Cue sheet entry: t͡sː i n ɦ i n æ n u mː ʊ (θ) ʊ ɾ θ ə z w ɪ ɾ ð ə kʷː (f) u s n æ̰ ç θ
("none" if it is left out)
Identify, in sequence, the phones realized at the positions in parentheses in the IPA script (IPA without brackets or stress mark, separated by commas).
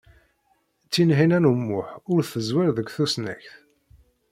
ħ, θ